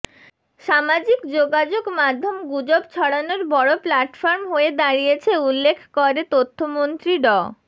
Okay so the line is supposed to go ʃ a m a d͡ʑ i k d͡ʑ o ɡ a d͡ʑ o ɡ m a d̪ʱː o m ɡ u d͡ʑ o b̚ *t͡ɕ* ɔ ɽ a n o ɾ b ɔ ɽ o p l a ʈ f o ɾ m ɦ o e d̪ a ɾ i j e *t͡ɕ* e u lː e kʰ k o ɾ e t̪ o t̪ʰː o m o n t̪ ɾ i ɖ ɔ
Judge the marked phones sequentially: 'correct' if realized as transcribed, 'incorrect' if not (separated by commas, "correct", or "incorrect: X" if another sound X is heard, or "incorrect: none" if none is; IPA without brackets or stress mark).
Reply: incorrect: t͡ɕʰ, incorrect: t͡ɕʰ